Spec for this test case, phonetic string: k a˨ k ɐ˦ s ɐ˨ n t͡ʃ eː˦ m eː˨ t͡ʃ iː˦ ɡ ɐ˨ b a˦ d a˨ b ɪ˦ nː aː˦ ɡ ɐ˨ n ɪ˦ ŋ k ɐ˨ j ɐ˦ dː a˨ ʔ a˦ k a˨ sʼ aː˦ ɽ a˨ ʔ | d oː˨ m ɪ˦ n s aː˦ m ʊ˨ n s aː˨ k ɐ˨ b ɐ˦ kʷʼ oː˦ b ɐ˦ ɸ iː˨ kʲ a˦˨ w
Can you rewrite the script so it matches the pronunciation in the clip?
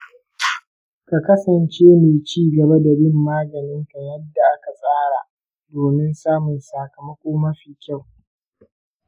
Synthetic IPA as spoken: k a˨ k ɐ˦ s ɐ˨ n t͡ʃ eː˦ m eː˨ t͡ʃ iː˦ ɡ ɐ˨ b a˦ d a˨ b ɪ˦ mː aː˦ ɡ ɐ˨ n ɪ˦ ŋ k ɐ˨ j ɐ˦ dː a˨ ʔ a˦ k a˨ sʼ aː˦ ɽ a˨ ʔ | d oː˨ m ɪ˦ n s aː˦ m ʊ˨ n s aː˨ k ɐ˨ m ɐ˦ kʷʼ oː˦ m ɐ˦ ɸ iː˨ kʲ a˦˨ w